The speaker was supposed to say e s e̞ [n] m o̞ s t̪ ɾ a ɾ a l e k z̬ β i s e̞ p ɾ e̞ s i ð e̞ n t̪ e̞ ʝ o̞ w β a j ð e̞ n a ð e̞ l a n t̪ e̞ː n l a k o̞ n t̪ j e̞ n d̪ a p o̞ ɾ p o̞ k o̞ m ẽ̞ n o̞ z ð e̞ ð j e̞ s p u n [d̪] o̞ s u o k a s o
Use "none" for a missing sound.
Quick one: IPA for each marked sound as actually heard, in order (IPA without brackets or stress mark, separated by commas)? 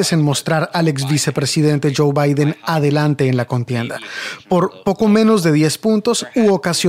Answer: n, t̪